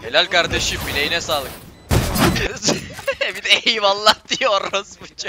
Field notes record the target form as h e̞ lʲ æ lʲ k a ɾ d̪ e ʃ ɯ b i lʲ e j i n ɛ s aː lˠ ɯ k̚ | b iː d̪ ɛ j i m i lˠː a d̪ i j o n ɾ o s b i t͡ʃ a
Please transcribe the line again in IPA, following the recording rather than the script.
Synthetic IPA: h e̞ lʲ æ lʲ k a ɾ d̪ e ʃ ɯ b i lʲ e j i n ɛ s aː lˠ ɯ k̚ | b i d̪ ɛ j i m a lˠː a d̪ i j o ɾ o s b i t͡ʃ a